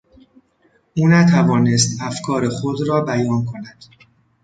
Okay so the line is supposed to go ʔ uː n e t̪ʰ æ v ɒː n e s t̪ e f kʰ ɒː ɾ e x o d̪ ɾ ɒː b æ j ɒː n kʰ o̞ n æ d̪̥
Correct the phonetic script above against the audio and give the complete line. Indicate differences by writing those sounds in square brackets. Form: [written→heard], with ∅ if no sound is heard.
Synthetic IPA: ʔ uː n [e→æ] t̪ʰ æ v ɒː n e s t̪ [e→æ] f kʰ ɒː ɾ e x o d̪ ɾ ɒː b æ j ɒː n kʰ o̞ n æ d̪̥